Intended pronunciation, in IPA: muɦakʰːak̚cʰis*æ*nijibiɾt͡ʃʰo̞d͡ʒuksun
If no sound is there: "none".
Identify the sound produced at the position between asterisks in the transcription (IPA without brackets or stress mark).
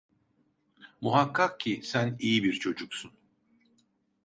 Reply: æ